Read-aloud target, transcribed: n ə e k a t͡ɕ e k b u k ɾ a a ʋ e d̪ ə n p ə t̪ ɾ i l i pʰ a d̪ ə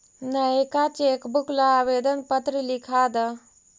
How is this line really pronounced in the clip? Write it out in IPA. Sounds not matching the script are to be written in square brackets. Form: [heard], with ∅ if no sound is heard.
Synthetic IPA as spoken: n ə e k a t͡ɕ e k b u k [l] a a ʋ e d̪ ə n p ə t̪ ɾ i l i [kʰ] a d̪ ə